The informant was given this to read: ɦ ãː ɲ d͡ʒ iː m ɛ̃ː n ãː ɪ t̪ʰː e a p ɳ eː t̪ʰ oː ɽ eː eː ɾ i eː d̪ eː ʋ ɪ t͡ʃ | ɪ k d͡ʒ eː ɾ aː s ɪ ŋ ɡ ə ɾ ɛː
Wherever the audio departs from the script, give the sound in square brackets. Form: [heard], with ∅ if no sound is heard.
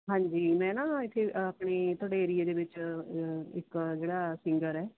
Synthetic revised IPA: ɦ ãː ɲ d͡ʒ iː m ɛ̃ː n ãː ɪ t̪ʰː e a p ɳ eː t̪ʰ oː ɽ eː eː ɾ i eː d̪ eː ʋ ɪ t͡ʃ | ɪ k d͡ʒ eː [ɽ] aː s ɪ ŋ ɡ ə ɾ ɛː